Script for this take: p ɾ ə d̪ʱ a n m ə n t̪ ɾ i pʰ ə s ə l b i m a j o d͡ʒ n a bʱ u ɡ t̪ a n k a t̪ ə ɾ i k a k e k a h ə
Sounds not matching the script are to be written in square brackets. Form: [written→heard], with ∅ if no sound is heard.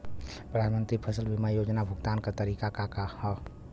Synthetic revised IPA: p ɾ ə d̪ʱ a n m ə n t̪ ɾ i pʰ ə s ə l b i m a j o d͡ʒ n a bʱ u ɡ t̪ a n k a t̪ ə ɾ i k a k [e→a] k a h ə